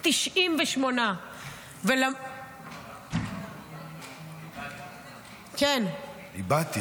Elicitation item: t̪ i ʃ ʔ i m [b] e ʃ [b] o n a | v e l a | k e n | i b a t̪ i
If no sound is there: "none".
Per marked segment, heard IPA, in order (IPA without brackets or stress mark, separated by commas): v, m